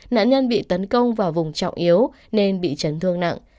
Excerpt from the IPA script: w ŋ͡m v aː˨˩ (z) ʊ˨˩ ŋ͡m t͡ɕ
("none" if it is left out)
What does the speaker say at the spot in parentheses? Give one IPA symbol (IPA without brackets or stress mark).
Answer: v